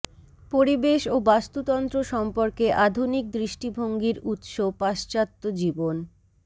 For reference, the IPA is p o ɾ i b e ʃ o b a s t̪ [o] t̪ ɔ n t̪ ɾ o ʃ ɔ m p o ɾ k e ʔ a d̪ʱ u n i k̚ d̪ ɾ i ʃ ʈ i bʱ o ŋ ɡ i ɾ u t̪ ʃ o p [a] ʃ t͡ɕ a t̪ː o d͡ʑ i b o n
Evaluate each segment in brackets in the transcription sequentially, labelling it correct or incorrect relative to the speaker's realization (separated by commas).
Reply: incorrect, correct